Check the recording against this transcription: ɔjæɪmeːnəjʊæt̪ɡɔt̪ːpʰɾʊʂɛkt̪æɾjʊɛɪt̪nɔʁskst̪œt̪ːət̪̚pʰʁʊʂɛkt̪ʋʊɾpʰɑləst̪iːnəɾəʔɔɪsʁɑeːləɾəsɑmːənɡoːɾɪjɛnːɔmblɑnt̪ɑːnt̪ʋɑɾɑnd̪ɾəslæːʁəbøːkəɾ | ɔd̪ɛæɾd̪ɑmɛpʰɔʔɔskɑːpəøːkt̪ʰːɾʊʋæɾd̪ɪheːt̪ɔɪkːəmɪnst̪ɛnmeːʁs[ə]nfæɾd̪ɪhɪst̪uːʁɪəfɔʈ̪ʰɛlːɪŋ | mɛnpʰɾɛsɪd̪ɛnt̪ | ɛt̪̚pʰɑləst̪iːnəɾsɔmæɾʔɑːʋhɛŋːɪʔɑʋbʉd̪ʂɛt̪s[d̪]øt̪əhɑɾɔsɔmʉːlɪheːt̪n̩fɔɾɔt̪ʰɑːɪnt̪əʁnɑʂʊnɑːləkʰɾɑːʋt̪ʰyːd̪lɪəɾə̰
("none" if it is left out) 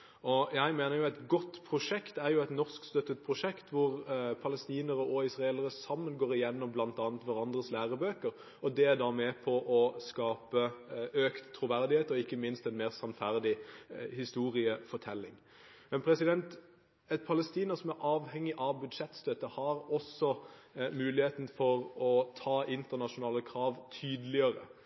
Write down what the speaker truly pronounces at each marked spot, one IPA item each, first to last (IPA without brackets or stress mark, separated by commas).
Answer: ɑ, t̪